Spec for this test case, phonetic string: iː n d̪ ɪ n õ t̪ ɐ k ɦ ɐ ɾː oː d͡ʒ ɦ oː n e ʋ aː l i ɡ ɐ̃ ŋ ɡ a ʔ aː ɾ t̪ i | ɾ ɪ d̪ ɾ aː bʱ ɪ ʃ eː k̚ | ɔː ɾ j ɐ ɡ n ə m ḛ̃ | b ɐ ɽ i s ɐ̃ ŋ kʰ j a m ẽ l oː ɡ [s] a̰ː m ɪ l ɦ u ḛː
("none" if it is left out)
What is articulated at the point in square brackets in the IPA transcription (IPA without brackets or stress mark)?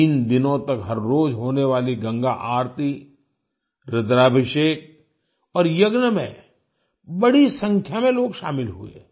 ʃ